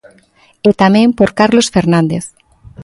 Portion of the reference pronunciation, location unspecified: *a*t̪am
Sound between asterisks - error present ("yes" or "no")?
yes